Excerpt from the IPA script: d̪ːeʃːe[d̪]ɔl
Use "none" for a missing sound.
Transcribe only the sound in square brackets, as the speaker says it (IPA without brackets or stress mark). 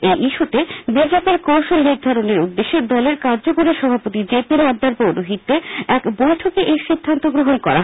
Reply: d̪